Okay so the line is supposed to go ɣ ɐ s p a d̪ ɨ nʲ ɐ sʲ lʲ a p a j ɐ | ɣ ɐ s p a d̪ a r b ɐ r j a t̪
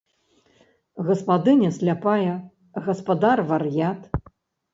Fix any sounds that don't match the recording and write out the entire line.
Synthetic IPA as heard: ɣ ɐ s p a d̪ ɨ nʲ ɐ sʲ lʲ a p a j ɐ | ɣ ɐ s p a d̪ a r v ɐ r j a t̪